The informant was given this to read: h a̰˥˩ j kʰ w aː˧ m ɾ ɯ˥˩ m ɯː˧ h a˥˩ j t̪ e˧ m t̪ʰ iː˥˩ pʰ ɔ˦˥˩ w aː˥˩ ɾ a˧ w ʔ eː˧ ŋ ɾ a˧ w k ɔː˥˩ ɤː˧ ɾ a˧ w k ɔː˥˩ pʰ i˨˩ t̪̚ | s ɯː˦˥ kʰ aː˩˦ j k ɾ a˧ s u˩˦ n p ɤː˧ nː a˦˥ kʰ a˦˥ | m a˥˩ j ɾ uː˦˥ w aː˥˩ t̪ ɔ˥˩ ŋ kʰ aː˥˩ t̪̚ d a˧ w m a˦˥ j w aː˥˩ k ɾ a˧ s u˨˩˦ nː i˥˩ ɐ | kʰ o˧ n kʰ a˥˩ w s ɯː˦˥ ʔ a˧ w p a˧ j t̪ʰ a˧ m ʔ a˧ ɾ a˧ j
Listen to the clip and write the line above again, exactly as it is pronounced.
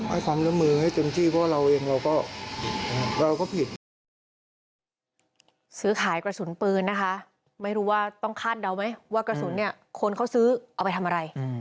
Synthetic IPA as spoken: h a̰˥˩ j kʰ w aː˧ m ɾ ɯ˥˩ m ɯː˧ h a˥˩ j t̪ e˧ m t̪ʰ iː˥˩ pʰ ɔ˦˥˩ w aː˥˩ ɾ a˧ w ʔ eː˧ ŋ ɾ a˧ w k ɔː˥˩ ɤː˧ ɾ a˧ w k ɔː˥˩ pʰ i˨˩ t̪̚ | s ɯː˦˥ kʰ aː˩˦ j k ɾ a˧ s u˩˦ n p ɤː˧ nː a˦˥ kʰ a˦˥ | m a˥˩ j ɾ uː˦˥ w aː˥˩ t̪ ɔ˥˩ ŋ kʰ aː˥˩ t̪̚ d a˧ w m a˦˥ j w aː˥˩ k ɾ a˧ s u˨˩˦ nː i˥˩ ɐ | kʰ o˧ n kʰ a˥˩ w s ɯː˦˥ ʔ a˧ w p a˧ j t̪ʰ a˧ m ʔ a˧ ɾ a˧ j